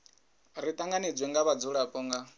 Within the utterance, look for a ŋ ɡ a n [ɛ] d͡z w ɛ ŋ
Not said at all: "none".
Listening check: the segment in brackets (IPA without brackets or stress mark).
i